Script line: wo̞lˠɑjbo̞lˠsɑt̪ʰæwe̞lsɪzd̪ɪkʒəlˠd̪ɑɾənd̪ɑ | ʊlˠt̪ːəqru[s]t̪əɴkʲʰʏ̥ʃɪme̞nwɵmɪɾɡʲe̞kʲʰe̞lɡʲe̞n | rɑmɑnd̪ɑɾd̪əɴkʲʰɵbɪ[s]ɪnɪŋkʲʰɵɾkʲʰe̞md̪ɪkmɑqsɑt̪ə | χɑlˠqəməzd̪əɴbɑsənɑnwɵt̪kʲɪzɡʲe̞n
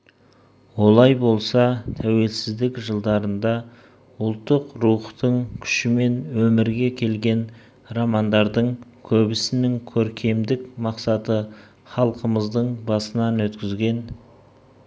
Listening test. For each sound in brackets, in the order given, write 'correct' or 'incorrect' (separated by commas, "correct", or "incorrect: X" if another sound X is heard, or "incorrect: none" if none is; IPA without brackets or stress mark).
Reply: incorrect: χ, correct